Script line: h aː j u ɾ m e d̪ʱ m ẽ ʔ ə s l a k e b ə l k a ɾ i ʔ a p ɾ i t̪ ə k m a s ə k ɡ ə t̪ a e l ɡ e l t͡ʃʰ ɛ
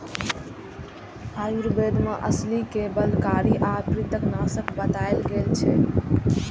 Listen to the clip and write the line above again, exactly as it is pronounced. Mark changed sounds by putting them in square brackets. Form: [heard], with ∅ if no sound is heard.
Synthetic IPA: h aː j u ɾ [b] e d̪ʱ m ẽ ʔ ə s l [i] k e b ə l k a ɾ i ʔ a p ɾ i t̪ ə k [n] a s ə k [b] ə t̪ a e l ɡ e l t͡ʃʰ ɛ